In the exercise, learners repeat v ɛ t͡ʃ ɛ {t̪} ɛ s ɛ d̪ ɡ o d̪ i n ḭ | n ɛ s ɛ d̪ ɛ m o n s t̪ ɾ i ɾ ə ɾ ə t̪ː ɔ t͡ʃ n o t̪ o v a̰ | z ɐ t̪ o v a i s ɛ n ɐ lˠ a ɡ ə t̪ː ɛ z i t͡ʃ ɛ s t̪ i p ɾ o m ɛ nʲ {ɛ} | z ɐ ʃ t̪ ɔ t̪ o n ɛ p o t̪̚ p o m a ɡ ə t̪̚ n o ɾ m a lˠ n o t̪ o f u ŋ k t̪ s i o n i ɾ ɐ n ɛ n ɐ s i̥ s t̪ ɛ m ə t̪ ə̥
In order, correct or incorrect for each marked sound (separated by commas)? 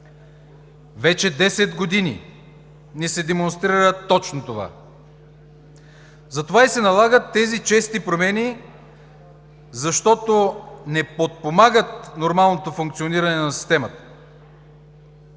incorrect, incorrect